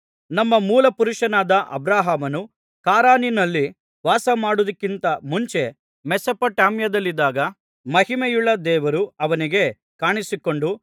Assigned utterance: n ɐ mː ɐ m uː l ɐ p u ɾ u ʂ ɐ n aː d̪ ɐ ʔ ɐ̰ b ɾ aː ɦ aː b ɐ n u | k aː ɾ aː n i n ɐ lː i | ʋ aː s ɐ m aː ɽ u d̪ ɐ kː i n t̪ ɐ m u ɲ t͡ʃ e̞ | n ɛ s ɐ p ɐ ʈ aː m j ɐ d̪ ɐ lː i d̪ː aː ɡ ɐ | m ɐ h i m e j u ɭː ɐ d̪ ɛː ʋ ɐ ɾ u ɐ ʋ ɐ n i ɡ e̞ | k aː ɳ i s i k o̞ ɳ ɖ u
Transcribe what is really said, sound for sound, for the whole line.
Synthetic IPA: n ɐ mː ɐ m uː l ɐ p u ɾ u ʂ ɐ n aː d̪ ɐ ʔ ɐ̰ b ɾ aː ɦ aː m ɐ n u | k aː ɾ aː n i n ɐ lː i | ʋ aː s ɐ m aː ɽ u d̪ ɐ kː i n t̪ ɐ m u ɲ t͡ʃ e̞ | m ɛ s ɐ p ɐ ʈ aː m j ɐ d̪ ɐ lː i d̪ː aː ɡ ɐ | m ɐ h i m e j u ɭː ɐ d̪ ɛː ʋ ɐ ɾ u ɐ ʋ ɐ n i ɡ e̞ | k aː ɳ i s i k o̞ ɳ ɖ u